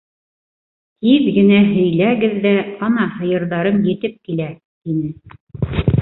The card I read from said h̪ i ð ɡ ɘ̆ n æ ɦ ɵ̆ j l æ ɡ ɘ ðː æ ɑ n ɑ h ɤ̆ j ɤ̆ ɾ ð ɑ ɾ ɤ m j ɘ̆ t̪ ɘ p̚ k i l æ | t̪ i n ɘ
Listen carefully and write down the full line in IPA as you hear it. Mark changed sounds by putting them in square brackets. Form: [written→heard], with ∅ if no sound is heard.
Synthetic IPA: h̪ i ð ɡ ɘ̆ n æ ɦ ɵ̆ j l æ ɡ ɘ ðː æ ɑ n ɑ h ɤ̆ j ɤ̆ ɾ ð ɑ ɾ ɤ m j ɘ̆ t̪ ɘ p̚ k i l æ | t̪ i n ɘ